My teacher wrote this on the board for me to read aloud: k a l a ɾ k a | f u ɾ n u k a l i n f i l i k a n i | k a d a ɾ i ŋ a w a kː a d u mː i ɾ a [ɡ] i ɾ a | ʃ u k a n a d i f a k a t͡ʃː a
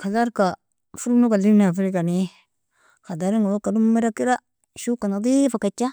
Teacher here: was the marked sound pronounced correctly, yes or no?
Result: no